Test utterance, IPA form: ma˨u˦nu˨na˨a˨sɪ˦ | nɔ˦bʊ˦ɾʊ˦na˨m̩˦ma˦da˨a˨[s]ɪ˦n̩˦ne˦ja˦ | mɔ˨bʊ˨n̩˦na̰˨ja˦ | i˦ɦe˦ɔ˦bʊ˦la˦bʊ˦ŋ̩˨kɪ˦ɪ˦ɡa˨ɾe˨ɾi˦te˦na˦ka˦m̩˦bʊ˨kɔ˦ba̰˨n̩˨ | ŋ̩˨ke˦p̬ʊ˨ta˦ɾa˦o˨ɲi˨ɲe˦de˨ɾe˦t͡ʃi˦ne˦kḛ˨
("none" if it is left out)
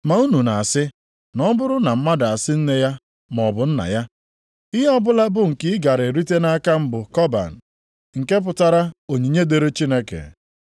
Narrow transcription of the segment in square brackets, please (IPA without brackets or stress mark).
s